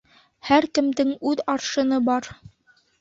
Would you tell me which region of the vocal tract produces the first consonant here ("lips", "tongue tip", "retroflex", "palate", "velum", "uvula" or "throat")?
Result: throat